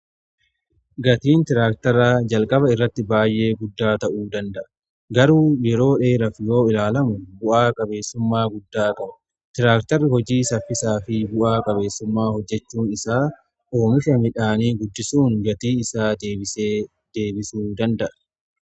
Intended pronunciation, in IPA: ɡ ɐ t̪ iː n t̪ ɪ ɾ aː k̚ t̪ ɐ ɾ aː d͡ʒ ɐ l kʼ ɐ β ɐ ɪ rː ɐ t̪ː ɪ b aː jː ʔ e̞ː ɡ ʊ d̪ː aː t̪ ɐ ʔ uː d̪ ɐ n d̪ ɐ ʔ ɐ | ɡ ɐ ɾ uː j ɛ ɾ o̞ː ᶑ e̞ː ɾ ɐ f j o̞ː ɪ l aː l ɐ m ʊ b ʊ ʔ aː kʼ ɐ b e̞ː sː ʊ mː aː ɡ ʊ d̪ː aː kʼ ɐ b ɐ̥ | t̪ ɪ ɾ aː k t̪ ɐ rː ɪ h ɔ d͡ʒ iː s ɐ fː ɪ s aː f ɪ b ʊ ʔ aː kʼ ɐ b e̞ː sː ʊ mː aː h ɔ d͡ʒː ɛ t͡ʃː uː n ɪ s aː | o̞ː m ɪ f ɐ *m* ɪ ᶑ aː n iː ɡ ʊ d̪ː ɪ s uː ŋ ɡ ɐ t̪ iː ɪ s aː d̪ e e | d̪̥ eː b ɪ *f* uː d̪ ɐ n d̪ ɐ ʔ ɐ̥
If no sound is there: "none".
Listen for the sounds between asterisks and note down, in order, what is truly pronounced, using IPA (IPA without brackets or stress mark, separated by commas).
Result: m, s